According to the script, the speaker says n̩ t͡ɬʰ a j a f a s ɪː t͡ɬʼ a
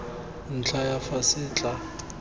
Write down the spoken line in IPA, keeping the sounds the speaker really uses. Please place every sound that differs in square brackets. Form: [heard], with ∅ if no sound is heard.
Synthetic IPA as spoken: n̩ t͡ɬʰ a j a f a s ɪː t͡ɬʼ a

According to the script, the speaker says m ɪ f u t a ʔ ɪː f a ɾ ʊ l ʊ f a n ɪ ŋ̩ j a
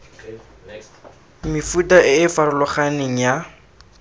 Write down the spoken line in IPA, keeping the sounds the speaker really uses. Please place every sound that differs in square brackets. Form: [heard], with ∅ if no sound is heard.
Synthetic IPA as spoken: m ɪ f u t a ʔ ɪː f a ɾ ʊ l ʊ [χ] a n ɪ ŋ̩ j a

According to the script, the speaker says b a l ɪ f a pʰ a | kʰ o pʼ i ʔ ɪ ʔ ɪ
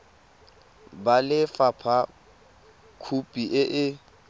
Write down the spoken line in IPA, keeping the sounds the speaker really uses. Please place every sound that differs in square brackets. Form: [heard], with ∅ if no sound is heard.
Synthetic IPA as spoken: b a l ɪ f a pʰ a | kʰ [u] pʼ i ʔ ɪ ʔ ɪ

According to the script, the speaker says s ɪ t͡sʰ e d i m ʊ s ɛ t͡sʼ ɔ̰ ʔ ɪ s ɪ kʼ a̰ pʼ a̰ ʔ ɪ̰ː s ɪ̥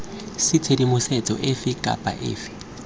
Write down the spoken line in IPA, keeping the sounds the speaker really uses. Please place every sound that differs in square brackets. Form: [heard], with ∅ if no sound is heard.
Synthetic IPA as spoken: s ɪ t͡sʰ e d i m ʊ s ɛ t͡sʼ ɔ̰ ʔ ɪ [f] ɪ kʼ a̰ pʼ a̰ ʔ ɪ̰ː [f] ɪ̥

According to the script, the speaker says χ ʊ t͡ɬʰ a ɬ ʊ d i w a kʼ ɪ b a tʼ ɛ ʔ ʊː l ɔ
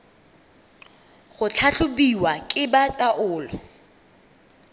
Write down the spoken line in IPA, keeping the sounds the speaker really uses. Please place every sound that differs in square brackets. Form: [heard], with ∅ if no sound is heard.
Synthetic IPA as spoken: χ ʊ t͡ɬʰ a ɬ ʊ [b] i w a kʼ ɪ b a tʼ [a] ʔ ʊː l ɔ

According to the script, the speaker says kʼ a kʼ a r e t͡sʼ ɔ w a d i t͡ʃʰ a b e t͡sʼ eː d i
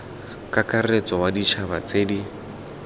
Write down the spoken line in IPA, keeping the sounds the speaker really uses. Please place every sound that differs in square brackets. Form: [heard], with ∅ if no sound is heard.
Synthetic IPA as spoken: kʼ a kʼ a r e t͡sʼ ɔ w a d i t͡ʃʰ a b [a] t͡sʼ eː d i

